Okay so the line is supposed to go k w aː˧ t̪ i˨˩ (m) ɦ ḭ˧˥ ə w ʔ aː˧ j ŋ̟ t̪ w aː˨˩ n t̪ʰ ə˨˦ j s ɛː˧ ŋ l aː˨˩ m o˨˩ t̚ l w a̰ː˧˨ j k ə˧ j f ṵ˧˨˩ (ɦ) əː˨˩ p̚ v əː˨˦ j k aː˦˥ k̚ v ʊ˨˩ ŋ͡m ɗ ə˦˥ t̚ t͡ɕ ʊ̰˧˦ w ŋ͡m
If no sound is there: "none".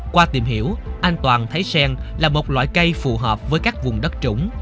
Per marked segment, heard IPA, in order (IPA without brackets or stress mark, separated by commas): m, ɦ